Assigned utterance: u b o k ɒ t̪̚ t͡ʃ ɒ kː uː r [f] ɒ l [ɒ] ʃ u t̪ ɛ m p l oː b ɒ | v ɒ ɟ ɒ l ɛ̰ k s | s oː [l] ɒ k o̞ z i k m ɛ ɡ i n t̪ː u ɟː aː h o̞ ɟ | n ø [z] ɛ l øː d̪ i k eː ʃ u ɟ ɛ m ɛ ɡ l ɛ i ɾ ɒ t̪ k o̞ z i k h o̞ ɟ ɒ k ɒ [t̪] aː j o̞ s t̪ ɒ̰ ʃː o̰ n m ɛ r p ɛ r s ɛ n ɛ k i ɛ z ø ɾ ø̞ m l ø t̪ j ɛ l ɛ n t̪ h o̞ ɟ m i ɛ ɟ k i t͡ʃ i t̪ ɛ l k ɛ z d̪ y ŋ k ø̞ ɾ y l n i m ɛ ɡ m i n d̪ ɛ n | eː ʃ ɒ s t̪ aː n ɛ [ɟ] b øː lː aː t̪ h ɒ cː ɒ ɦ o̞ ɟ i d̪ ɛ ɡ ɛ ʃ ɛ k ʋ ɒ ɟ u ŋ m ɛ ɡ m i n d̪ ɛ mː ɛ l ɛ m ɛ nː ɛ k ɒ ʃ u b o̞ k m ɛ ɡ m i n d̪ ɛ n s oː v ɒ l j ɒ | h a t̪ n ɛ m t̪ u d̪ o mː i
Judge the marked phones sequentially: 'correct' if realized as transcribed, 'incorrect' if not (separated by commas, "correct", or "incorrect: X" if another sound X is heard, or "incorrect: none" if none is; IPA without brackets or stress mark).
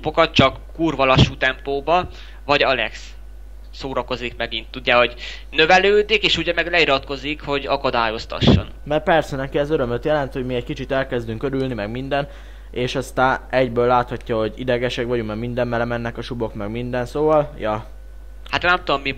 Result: incorrect: v, correct, incorrect: ɾ, incorrect: v, incorrect: d̪, correct